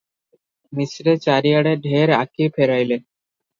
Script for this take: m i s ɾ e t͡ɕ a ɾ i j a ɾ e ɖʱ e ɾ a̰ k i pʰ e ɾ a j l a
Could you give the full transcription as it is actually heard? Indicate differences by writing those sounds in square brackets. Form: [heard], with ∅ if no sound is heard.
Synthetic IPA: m i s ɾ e t͡ɕ a ɾ i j a [ɽ] e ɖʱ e ɾ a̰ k i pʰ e ɾ a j l [e]